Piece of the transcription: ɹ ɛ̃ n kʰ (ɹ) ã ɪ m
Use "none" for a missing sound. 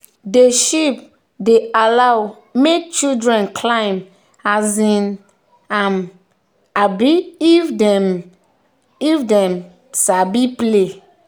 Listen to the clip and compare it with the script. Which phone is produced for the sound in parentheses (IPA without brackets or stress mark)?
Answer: l